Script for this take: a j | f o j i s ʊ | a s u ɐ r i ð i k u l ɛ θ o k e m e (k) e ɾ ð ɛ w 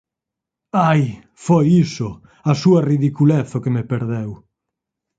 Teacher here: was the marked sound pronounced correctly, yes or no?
no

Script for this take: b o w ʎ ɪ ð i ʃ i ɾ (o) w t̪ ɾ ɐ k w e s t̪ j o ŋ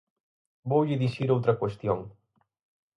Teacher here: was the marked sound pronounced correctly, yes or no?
yes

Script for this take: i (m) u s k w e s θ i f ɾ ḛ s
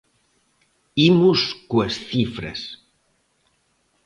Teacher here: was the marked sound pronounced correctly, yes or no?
yes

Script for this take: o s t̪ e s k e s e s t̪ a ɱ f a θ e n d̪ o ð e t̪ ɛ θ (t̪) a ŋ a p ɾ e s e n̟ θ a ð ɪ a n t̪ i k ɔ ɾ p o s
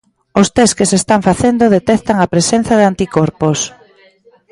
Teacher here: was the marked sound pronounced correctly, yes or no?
yes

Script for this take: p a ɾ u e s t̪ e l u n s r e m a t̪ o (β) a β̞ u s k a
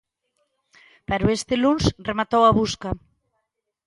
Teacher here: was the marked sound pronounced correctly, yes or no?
no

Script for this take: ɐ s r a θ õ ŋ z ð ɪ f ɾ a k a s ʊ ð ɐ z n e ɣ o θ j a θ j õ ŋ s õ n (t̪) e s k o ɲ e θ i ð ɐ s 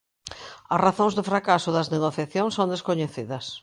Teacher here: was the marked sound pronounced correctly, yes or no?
no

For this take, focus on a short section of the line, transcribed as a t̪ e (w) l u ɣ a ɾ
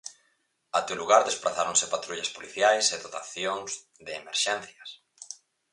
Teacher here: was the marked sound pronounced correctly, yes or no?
yes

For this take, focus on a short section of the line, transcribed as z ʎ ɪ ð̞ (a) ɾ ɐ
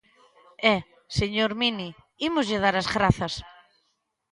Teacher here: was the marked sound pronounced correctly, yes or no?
yes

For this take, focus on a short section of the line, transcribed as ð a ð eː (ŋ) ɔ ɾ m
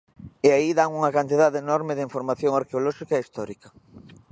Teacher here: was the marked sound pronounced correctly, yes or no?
no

